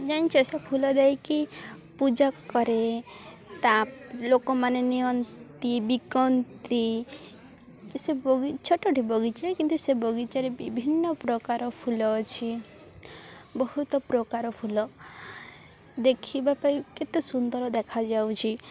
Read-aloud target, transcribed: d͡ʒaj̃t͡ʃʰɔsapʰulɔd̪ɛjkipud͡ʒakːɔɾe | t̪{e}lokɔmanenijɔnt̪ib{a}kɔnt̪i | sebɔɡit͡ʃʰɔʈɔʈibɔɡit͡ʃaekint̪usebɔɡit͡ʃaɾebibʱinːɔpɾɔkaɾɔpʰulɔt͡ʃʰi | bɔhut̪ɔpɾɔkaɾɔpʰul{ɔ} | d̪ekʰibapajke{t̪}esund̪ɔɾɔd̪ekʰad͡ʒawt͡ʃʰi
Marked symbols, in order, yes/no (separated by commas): no, no, yes, yes